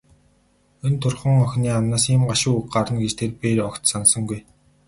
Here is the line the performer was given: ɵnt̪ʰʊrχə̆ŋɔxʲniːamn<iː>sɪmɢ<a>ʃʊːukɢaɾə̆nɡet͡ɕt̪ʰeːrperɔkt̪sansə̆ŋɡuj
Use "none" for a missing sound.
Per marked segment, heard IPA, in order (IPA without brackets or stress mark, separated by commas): aː, a